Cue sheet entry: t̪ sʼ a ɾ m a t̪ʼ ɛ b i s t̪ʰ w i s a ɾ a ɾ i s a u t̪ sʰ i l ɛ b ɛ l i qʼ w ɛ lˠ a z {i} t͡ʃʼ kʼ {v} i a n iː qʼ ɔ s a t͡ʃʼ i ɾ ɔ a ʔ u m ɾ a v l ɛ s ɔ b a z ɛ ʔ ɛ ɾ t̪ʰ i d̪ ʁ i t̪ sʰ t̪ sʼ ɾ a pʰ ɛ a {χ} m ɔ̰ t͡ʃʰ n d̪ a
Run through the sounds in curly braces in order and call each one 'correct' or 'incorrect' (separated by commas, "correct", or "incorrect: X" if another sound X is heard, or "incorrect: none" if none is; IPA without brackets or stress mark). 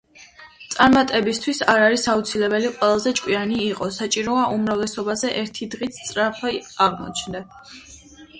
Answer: incorrect: ɛ, incorrect: w, incorrect: ʁ